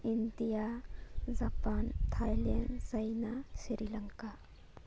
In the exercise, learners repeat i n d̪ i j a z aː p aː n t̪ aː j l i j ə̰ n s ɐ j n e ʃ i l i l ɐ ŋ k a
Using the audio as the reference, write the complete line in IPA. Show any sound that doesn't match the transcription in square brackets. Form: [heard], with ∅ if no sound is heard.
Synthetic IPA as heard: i n d̪ i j a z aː p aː n [t̪ʰ] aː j l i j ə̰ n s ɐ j n [a] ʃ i [ɾ] i l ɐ ŋ k a